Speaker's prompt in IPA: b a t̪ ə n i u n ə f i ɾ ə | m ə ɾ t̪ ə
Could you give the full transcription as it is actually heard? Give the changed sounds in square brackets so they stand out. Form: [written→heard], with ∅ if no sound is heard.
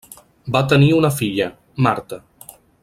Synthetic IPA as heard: b a t̪ ə n i u n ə f i [ɾ→ʎ] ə | m [ə→a] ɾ t̪ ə

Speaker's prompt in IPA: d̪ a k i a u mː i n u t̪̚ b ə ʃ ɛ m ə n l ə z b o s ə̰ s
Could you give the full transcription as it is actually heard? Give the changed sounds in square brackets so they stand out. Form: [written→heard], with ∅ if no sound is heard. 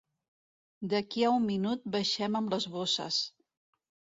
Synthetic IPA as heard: d̪ [a→ə] k i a u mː i n u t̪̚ b ə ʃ ɛ m ə [n→m] l ə z [b→β] o s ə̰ s

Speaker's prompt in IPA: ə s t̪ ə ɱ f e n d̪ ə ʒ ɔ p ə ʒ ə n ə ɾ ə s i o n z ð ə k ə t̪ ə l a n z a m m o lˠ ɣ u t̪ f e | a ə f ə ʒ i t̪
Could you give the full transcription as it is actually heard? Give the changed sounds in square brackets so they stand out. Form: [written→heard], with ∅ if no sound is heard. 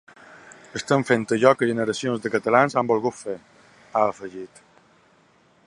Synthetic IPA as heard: ə s t̪ ə ɱ f e n [d̪→t̪] ə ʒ ɔ [p→k] ə ʒ ə n ə ɾ ə s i o n z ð ə k ə t̪ ə l a n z a m [m→b] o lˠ ɣ u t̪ f e | a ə f ə ʒ i t̪

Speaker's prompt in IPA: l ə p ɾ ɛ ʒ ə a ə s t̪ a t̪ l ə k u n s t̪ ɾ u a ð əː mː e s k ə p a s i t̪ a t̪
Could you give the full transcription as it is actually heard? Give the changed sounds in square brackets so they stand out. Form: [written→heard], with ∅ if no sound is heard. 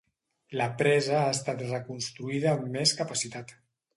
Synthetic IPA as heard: l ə p ɾ ɛ [ʒ→z] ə a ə s t̪ a t̪ [l→r] ə k u n s t̪ ɾ u [a→i] ð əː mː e s k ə p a s i t̪ a t̪

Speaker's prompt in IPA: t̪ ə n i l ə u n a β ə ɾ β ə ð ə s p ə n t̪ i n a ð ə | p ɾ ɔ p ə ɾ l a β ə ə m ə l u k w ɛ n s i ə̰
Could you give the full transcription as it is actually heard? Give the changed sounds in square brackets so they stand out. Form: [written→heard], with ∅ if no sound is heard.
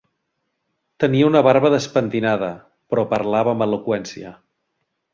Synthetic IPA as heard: t̪ ə n i [l→∅] ə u n [a→ə] β [ə→a] ɾ β ə ð ə s p ə n t̪ i n a ð ə | p ɾ ɔ p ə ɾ l a β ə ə m ə l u k w ɛ n s i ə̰

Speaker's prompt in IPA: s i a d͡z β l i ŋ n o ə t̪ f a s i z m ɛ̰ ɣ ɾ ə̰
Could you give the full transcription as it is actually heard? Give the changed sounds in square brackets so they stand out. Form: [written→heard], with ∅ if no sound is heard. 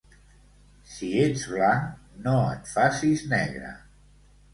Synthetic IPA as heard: s i [a→e] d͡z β l [i→a] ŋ n o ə t̪ f a s i z [m→n] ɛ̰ ɣ ɾ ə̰

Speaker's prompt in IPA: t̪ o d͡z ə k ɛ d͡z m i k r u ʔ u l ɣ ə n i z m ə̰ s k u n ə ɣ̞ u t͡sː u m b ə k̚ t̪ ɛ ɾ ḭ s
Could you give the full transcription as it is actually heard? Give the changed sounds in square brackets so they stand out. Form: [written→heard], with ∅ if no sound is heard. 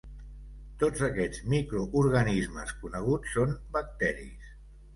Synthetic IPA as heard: t̪ o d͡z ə k ɛ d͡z m i k [r→ɾ] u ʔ u [l→ɾ] ɣ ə n i z m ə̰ s k u n ə ɣ̞ u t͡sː [u→o] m b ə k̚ t̪ ɛ ɾ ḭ s

